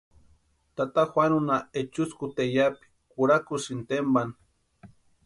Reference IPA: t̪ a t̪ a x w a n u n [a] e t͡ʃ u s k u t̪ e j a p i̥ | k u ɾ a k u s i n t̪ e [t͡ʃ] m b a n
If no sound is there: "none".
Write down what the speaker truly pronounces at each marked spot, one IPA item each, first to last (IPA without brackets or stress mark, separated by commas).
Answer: a, none